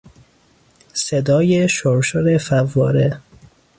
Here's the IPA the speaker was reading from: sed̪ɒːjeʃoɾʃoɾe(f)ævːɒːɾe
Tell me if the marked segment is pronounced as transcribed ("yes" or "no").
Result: yes